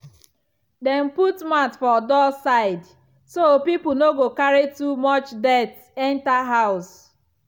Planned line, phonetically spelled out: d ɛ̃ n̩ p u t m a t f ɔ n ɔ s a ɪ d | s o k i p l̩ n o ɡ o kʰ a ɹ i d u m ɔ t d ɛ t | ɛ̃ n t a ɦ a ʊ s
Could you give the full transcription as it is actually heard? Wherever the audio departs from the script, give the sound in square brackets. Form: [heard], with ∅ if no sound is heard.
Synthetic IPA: d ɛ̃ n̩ p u t m a t f ɔ [d] ɔ s a ɪ d | s o [p] i p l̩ n o ɡ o [k] a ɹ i [t] u m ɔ [t͡ʃ] d ɛ t | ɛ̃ n t a ɦ a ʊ s